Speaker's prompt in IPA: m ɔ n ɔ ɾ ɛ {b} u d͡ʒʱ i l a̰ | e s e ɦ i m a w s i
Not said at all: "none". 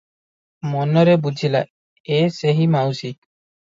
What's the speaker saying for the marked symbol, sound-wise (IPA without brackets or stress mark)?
b